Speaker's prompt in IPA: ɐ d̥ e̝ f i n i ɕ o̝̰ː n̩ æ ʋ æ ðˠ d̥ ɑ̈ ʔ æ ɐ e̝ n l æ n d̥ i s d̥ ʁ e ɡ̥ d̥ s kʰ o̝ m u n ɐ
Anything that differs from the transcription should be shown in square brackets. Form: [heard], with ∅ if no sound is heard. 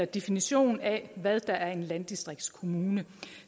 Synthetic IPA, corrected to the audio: ɐ d̥ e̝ f i n i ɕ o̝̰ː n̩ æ ʋ æ ðˠ d̥ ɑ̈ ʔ æ ɐ e̝ n l æ n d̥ i s d̥ ʁ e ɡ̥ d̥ s kʰ o̝ m [uː] n [ə]